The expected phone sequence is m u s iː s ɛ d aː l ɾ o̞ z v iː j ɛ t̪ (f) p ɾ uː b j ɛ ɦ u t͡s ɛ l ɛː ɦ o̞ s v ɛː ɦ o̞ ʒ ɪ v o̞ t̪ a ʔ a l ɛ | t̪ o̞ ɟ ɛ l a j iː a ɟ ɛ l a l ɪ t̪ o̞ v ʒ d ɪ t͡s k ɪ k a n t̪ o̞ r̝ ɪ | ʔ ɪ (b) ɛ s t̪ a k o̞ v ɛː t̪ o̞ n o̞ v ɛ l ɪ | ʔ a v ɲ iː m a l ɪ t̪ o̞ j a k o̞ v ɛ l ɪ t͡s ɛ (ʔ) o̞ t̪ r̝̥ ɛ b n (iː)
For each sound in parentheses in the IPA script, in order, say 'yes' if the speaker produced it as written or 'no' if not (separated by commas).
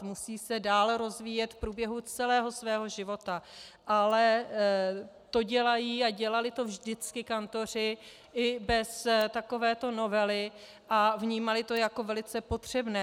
yes, yes, no, no